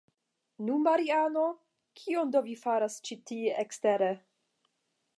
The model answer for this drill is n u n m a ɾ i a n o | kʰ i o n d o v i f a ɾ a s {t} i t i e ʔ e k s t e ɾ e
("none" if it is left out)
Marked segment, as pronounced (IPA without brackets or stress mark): t͡ʃ